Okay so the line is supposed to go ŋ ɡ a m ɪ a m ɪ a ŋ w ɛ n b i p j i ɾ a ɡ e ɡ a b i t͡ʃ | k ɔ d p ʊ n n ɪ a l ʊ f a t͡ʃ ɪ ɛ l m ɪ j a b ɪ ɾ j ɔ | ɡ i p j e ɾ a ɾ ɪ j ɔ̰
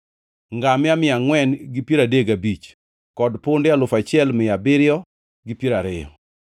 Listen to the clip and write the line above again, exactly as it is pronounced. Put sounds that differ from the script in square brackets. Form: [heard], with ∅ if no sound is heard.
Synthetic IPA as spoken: ŋ ɡ a m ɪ a m ɪ a ŋ w ɛ n [ɡ] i p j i ɾ a [d] e ɡ a b i t͡ʃ | k ɔ d p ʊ n [d] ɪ a l ʊ f a t͡ʃ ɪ ɛ l m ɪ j a b ɪ ɾ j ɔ | ɡ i p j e ɾ a ɾ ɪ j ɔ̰